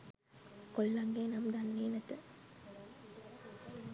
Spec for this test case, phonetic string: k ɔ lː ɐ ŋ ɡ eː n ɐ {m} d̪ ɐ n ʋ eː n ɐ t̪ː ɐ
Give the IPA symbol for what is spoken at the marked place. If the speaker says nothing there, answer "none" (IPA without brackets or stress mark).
m